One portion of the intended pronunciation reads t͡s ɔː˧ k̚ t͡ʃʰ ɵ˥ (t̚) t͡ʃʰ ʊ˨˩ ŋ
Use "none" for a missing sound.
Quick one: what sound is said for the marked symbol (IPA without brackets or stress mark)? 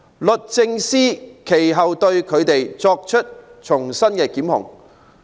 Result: t̚